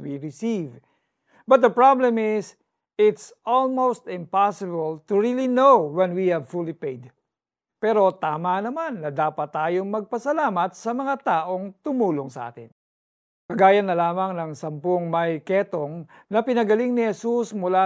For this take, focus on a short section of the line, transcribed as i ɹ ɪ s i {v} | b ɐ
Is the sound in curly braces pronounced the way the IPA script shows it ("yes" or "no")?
yes